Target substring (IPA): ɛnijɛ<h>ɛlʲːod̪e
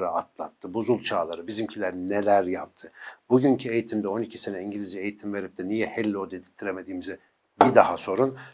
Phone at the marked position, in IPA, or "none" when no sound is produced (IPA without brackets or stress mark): h